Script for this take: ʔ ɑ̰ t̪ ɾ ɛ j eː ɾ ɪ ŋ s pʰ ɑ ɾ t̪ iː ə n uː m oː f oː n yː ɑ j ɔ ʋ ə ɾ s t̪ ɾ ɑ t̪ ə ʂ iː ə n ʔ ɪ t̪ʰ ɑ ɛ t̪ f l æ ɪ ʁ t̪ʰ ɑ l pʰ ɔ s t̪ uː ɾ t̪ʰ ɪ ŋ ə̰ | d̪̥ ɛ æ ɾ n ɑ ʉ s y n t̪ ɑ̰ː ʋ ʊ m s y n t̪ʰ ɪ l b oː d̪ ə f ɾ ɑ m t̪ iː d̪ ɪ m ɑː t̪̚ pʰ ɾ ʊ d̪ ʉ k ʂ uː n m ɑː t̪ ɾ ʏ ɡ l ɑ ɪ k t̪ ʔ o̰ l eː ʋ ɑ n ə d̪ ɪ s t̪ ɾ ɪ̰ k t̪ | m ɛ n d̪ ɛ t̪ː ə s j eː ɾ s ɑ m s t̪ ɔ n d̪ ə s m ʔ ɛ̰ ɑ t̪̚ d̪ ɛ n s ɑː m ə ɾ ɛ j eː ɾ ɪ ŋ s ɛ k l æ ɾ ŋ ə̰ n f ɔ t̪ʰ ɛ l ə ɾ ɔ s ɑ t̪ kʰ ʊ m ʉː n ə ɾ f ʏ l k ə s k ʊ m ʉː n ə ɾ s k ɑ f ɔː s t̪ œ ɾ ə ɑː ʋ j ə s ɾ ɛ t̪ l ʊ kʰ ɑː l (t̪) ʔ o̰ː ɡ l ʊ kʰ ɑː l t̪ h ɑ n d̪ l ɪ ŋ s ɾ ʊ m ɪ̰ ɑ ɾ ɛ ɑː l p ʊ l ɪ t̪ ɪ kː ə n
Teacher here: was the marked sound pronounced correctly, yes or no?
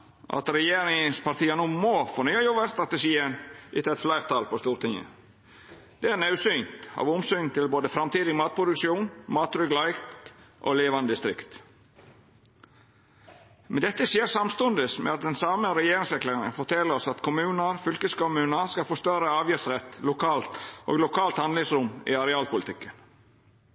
yes